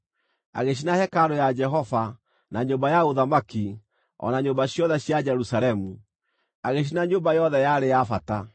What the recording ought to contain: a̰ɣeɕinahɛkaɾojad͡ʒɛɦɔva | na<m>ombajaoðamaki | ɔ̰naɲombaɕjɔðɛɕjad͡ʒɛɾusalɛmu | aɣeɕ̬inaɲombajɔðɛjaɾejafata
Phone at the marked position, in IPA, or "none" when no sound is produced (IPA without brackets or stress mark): ɲ